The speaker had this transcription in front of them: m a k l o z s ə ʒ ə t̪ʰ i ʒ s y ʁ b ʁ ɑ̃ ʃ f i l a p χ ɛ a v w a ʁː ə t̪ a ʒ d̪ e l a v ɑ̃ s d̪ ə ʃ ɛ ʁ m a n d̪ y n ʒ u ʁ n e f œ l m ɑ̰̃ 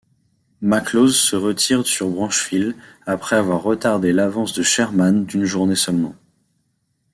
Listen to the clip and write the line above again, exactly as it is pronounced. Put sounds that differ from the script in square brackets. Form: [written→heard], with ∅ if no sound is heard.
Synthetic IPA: m a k l o z s ə [ʒ→ʁ] ə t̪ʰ i [ʒ→ʁ] s y ʁ b ʁ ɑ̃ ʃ f i l a p χ ɛ a v w a ʁː ə t̪ a [ʒ→ʁ] d̪ e l a v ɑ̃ s d̪ ə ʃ ɛ ʁ m a n d̪ y n ʒ u ʁ n e [f→s] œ l m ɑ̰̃